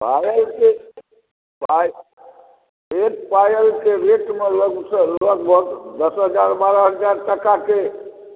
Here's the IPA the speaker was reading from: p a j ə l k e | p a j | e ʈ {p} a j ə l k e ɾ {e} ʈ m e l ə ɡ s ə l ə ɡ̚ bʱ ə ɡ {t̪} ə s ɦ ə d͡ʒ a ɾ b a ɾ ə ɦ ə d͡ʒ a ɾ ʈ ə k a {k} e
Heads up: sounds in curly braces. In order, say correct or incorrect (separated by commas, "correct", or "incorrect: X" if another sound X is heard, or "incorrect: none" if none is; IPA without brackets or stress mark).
correct, correct, incorrect: d̪, correct